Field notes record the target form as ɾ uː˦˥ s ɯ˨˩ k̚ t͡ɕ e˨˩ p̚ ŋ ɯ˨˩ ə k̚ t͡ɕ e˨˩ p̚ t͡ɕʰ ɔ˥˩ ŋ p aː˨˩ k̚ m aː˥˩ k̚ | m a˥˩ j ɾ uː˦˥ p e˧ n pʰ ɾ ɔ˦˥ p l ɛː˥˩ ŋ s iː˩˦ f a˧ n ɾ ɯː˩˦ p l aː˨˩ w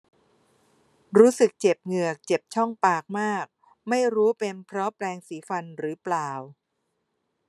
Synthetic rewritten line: ɾ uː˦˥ s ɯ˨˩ k̚ t͡ɕ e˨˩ p̚ ŋ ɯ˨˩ ə k̚ t͡ɕ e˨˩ p̚ t͡ɕʰ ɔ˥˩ ŋ p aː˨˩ k̚ m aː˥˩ k̚ | m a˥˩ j ɾ uː˦˥ p e˧ n pʰ ɾ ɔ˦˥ p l ɛː˧ ŋ s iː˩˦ f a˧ n ɾ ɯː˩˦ p l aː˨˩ w

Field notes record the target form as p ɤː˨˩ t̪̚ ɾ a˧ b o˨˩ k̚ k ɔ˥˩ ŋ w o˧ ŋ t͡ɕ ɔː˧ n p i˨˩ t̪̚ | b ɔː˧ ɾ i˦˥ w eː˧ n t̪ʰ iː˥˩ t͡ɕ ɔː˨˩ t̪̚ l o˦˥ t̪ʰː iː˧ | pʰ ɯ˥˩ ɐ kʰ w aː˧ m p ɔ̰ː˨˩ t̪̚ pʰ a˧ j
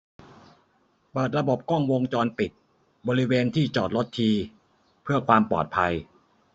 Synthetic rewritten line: p ɤː˨˩ t̪̚ ɾ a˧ b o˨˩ p̚ k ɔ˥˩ ŋ w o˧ ŋ t͡ɕ ɔː˧ n p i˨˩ t̪̚ | b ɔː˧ ɾ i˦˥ w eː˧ n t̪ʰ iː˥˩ t͡ɕ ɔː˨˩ t̪̚ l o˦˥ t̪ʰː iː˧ | pʰ ɯ˥˩ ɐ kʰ w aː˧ m p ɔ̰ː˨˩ t̪̚ pʰ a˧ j

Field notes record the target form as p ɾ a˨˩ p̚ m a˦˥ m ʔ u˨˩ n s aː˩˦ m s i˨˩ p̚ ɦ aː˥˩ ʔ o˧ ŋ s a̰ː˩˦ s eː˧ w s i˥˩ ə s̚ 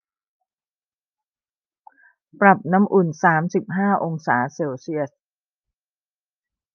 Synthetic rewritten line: p ɾ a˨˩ p̚ n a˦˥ m ʔ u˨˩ n s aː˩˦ m s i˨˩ p̚ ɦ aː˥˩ ʔ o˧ ŋ s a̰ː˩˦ s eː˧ w s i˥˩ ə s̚

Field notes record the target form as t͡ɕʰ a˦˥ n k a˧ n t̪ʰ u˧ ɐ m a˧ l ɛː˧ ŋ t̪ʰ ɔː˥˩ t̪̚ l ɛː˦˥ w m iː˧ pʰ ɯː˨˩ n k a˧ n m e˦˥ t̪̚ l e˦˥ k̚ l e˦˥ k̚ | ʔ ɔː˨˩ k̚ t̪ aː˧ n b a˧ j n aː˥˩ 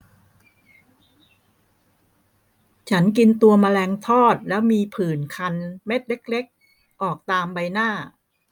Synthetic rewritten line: t͡ɕʰ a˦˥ n k i˧ n t̪ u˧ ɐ m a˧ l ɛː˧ ŋ t̪ʰ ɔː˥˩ t̪̚ l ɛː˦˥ w m iː˧ pʰ ɯː˨˩ n kʰ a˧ n m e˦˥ t̪̚ l e˦˥ k̚ l e˦˥ k̚ | ʔ ɔː˨˩ k̚ t̪ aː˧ m b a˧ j n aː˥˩

